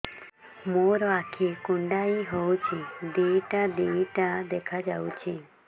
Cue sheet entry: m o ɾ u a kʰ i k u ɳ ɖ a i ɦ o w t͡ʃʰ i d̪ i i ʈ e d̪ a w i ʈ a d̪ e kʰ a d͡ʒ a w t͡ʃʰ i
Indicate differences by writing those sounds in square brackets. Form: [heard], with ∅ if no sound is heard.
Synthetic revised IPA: m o ɾ [ɔ] a kʰ i k u ɳ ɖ a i ɦ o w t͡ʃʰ i d̪ i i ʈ [a] d̪ [i] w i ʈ a d̪ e kʰ a d͡ʒ a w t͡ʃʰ i